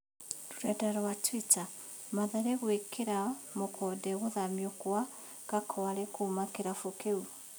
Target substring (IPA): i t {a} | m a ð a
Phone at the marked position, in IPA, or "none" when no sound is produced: a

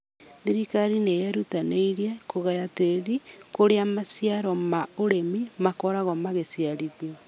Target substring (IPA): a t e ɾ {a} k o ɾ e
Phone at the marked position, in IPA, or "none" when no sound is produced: i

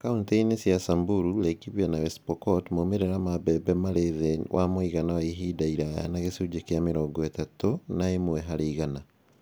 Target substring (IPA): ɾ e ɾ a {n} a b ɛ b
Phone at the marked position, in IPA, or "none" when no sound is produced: m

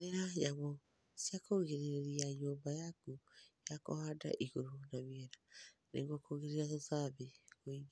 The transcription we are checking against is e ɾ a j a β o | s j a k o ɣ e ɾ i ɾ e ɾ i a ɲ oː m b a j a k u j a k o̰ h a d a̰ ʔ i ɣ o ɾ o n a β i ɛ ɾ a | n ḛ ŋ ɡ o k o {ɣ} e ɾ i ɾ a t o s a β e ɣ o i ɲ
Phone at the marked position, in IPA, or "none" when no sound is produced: ɣ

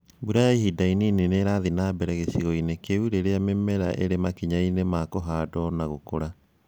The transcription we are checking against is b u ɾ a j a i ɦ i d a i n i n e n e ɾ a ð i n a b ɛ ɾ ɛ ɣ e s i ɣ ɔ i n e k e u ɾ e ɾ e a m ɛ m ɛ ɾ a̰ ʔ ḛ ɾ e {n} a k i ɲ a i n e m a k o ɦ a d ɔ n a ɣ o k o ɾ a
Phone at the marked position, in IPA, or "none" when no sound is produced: m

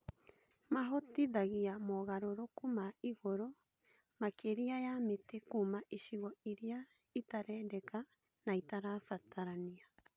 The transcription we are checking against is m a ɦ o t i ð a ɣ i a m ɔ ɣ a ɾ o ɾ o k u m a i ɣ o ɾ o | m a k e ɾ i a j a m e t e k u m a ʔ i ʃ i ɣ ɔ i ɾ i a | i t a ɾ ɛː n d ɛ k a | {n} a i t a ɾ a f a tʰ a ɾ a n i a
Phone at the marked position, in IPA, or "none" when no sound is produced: n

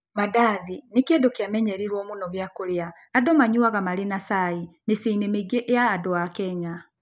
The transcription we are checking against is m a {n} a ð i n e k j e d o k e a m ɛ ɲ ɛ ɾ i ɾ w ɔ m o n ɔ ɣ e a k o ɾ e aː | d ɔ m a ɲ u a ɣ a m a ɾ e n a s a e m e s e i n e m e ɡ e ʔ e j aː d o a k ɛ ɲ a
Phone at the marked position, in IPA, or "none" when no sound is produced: d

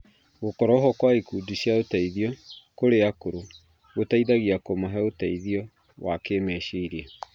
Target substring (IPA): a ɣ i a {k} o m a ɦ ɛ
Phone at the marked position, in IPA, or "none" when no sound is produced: k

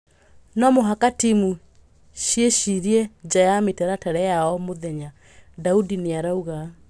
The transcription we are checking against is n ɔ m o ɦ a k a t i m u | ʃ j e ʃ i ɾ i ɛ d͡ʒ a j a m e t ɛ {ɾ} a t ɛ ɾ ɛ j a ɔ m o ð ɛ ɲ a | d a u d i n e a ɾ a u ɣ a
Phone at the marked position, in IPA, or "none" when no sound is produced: ɾ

